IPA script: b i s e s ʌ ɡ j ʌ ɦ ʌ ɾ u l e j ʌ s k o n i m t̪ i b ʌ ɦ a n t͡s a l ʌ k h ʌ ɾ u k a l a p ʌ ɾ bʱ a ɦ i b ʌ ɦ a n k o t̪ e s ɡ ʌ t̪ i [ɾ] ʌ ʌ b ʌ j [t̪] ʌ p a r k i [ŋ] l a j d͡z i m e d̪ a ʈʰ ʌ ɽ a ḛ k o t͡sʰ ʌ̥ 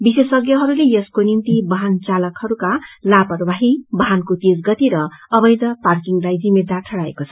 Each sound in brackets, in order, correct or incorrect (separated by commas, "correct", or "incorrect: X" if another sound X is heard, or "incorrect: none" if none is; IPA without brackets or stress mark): correct, incorrect: d̪, correct